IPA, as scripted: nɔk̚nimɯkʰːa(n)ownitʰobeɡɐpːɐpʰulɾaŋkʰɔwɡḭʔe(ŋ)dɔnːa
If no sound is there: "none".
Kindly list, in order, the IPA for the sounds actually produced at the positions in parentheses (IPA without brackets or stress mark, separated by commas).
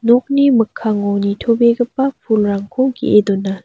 ŋ, none